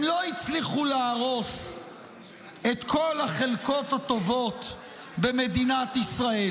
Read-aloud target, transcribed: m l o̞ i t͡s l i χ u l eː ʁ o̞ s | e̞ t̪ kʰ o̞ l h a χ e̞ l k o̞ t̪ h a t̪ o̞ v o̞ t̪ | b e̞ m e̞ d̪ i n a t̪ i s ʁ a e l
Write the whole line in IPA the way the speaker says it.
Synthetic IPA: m l o̞ i t͡s l i χ u l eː ʁ o̞ s | e̞ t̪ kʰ o̞ l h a χ e̞ l k o̞ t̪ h a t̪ o̞ v o̞ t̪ | b e̞ m e̞ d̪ i n a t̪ i s ʁ a e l